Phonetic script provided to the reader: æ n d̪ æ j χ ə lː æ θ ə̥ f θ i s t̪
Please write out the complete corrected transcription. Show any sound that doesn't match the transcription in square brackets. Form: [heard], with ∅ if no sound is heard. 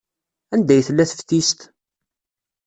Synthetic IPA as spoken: æ n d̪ æ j [θ] ə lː æ θ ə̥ f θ i s t̪